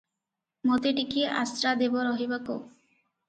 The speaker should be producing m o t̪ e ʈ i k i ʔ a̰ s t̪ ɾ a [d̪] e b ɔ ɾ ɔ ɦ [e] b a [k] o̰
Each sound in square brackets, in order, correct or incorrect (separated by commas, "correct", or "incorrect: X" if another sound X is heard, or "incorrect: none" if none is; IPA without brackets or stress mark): correct, incorrect: i, correct